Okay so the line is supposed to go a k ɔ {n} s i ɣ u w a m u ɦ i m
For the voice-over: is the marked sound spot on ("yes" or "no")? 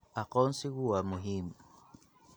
yes